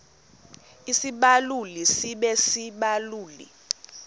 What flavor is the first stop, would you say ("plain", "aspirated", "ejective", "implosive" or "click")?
implosive